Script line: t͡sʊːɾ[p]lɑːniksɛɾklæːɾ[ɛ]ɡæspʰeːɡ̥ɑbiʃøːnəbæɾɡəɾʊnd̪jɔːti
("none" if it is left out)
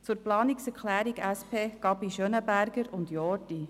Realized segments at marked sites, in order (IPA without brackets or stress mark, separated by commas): p, i